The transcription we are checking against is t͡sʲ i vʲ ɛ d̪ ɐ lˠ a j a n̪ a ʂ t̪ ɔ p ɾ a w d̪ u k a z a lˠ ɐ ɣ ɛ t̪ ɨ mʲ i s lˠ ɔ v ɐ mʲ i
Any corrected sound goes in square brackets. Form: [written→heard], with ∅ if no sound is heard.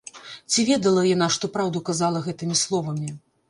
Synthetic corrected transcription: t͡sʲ i vʲ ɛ d̪ ɐ lˠ [a→ɐ] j a n̪ a ʂ t̪ ɔ p ɾ a w d̪ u k a z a lˠ ɐ ɣ ɛ t̪ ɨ mʲ i s lˠ ɔ v ɐ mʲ i